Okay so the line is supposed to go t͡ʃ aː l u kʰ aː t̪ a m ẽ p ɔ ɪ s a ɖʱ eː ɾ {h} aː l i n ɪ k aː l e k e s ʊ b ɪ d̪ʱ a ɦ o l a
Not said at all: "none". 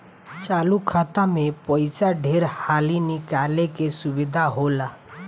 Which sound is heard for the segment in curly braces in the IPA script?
h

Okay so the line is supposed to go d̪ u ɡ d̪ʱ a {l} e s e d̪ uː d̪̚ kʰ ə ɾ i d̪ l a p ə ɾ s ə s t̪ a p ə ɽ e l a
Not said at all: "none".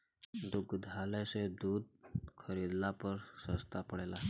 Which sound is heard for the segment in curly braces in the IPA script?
l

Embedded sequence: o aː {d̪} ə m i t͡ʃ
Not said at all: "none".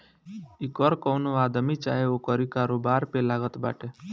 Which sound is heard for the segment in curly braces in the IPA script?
d̪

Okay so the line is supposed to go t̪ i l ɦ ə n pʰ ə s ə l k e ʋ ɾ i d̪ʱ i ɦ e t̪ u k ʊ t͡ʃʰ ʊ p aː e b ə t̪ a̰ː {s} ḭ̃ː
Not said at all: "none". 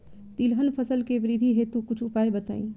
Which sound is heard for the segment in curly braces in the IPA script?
none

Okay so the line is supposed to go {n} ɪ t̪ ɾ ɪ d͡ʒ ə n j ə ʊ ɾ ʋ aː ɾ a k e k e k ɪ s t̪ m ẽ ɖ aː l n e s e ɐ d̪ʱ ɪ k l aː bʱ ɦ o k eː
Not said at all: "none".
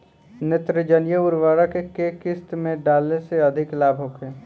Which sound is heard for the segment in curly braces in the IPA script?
n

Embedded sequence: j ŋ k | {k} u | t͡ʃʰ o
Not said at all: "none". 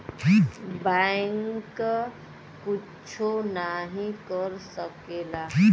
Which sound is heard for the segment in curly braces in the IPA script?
k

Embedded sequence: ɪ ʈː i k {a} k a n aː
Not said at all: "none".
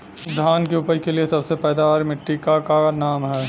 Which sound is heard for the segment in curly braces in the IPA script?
a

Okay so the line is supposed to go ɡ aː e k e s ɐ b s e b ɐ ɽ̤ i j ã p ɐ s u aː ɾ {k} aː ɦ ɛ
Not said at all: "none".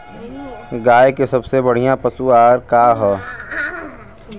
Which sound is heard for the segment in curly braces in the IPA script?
k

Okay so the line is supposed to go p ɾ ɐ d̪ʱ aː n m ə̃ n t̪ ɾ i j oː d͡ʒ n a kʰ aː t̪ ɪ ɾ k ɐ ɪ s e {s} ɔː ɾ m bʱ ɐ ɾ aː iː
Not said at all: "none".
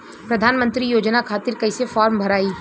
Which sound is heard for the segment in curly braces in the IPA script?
f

